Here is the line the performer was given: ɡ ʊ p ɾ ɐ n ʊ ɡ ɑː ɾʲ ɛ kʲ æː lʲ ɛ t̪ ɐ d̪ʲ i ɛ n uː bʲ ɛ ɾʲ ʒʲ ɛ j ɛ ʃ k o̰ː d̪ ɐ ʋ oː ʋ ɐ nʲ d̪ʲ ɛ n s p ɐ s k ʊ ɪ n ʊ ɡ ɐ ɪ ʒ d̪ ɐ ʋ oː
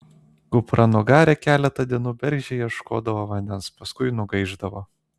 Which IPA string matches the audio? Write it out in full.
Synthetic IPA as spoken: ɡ ʊ p ɾ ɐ n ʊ ɡ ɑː ɾʲ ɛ kʲ æː lʲ ɛ t̪ ɐ d̪ʲ i ɛ n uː bʲ ɛ ɾʲ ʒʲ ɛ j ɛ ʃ k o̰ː d̪ ɐ ʋ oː ʋ ɐ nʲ d̪ʲ ɛ n s p ɐ s k ʊ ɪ n ʊ ɡ ɐ ɪ ʒ d̪ ɐ ʋ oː

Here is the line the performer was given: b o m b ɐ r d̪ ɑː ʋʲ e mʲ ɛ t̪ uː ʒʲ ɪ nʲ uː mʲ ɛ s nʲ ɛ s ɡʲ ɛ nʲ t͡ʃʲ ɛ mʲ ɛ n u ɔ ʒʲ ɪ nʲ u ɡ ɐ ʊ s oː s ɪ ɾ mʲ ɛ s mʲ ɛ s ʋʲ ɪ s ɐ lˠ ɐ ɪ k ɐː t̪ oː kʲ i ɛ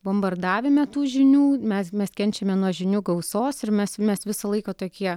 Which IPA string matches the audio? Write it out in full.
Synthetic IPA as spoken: b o m b ɐ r d̪ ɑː ʋʲ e mʲ ɛ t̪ uː ʒʲ ɪ nʲ uː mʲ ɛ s mʲ ɛ s kʲ ɛ nʲ t͡ʃʲ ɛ mʲ ɛ n u ɔ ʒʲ ɪ nʲ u ɡ ɐ ʊ s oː s ɪ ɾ mʲ ɛ s mʲ ɛ s ʋʲ ɪ s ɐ lˠ ɐ ɪ k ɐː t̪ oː kʲ i ɛ

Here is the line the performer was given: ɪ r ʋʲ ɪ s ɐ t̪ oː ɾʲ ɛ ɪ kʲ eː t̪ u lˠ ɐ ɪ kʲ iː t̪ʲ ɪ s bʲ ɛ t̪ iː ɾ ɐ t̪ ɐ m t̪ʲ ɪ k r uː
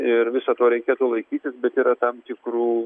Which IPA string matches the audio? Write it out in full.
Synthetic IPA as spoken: ɪ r ʋʲ ɪ s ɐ t̪ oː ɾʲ ɛ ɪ kʲ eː t̪ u lˠ ɐ ɪ kʲ iː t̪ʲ ɪ s bʲ ɛ t̪ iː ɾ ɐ t̪ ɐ m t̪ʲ ɪ k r uː

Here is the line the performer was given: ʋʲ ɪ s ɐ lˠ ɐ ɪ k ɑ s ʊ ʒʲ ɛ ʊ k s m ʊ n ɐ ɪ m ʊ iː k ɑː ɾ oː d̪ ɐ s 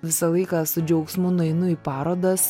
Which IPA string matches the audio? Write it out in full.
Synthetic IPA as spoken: ʋʲ ɪ s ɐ lˠ ɐ ɪ k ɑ s ʊ d͡ʒʲ ɛ ʊ k s m ʊ n ɐ ɪ n ʊ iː p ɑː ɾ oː d̪ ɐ s

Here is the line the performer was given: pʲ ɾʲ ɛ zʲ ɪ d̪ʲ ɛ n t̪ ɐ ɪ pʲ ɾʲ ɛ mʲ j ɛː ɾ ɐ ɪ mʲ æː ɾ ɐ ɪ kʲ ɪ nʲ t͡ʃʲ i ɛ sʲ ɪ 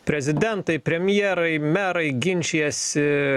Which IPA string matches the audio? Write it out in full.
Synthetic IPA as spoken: pʲ ɾʲ ɛ zʲ ɪ d̪ʲ ɛ n t̪ ɐ ɪ pʲ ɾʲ ɛ mʲ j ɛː ɾ ɐ ɪ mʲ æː ɾ ɐ ɪ ɡʲ ɪ nʲ t͡ʃʲ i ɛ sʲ ɪ

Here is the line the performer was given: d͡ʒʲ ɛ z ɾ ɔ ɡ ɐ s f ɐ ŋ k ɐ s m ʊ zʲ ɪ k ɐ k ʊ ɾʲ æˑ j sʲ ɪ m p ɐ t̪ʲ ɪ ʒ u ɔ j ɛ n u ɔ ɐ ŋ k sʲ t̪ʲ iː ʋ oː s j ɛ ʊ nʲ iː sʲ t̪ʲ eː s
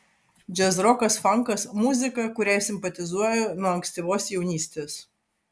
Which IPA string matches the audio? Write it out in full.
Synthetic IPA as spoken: d͡ʒʲ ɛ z ɾ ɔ k ɐ s f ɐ ŋ k ɐ s m ʊ zʲ ɪ k ɐ k ʊ ɾʲ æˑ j sʲ ɪ m p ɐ t̪ʲ ɪ z u ɔ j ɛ n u ɔ ɐ ŋ k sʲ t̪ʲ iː ʋ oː s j ɛ ʊ nʲ iː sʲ t̪ʲ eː s

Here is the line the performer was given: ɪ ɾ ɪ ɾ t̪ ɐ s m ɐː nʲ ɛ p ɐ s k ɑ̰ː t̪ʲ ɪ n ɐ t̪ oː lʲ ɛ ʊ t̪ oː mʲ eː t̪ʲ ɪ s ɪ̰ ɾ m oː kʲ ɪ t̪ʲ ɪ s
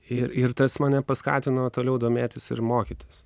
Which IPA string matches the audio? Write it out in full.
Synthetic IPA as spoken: ɪ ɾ ɪ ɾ t̪ ɐ s m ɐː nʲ ɛ p ɐ s k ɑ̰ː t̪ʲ ɪ n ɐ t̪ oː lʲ ɛ ʊ d̪ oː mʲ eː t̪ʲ ɪ s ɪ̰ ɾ m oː kʲ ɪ t̪ʲ ɪ s

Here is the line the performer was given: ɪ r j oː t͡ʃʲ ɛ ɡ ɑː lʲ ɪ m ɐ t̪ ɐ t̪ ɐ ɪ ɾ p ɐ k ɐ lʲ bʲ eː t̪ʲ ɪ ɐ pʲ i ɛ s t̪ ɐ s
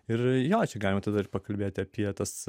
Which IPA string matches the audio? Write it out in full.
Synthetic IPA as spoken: ɪ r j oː t͡ʃʲ ɛ ɡ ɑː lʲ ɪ m ɐ t̪ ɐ d̪ ɐ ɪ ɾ p ɐ k ɐ lʲ bʲ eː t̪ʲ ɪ ɐ pʲ i ɛ t̪ ɐ s

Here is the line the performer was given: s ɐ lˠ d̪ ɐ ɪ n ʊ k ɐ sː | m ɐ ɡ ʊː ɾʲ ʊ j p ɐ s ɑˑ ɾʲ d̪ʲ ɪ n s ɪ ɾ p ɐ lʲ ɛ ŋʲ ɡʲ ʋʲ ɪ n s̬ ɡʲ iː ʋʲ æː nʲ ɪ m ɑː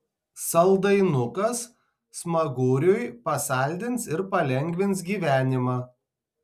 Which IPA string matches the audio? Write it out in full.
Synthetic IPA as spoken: s ɐ lˠ d̪ ɐ ɪ n ʊ k ɐ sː | m ɐ ɡ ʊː ɾʲ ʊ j p ɐ s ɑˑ lʲ d̪ʲ ɪ n s ɪ ɾ p ɐ lʲ ɛ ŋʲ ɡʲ ʋʲ ɪ n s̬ ɡʲ iː ʋʲ æː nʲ ɪ m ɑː

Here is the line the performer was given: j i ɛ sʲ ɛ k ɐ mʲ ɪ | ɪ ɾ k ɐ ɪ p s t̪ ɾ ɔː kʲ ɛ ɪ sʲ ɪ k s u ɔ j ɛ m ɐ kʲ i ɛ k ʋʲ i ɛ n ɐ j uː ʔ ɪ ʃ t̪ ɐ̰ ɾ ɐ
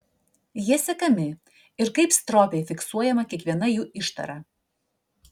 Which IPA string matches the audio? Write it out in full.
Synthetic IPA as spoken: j i ɛ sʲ ɛ k ɐ mʲ ɪ | ɪ ɾ k ɐ ɪ p s t̪ ɾ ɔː pʲ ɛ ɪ fʲ ɪ k s u ɔ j ɛ m ɐ kʲ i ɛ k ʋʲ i ɛ n ɐ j uː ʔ ɪ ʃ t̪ ɐ̰ ɾ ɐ

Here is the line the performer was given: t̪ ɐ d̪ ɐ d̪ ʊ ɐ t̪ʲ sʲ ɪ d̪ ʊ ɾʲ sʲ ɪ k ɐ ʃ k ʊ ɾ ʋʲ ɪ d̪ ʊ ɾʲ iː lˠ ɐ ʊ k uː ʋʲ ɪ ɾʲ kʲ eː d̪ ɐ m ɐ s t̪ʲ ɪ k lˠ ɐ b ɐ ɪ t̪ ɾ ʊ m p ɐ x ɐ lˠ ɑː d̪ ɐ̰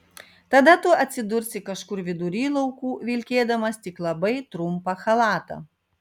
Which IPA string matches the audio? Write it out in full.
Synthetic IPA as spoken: t̪ ɐ d̪ ɐ t̪ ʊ ɐ t̪ʲ sʲ ɪ d̪ ʊ ɾʲ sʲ ɪ k ɐ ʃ k ʊ ɾ ʋʲ ɪ d̪ ʊ ɾʲ iː lˠ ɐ ʊ k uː ʋʲ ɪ lʲ kʲ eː d̪ ɐ m ɐ s t̪ʲ ɪ k lˠ ɐ b ɐ ɪ t̪ ɾ ʊ m p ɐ x ɐ lˠ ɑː t̪ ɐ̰

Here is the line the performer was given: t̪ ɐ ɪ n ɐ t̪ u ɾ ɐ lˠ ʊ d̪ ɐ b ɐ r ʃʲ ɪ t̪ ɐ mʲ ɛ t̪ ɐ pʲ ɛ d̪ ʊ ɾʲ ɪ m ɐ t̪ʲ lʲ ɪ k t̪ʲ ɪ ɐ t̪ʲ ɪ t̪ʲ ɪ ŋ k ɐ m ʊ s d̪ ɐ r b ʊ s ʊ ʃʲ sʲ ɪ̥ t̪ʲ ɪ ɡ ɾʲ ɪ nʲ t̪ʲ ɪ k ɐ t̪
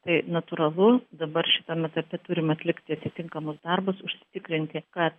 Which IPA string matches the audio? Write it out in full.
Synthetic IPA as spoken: t̪ ɐ ɪ n ɐ t̪ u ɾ ɐ lˠ ʊ d̪ ɐ b ɐ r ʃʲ ɪ t̪ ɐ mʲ ɛ t̪ ɐ pʲ ɛ t̪ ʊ ɾʲ ɪ m ɐ t̪ʲ lʲ ɪ k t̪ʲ ɪ ɐ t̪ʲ ɪ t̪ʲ ɪ ŋ k ɐ m ʊ s d̪ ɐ r b ʊ s ʊ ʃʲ sʲ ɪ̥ t̪ʲ ɪ k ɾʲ ɪ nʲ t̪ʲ ɪ k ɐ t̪

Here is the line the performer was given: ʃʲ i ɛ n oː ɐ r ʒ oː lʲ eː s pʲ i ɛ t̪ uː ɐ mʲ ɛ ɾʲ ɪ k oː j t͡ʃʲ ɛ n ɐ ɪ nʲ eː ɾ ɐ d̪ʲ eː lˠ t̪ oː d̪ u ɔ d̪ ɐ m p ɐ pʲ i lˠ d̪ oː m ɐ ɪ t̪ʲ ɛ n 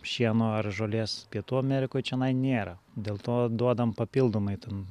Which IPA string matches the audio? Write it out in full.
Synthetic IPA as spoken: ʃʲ i ɛ n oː ɐ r ʒ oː lʲ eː s pʲ i ɛ t̪ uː ɐ mʲ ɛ ɾʲ ɪ k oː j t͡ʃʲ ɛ n ɐ ɪ nʲ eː ɾ ɐ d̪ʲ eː lˠ t̪ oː d̪ u ɔ d̪ ɐ m p ɐ pʲ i lˠ d̪ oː m ɐ ɪ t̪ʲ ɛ n

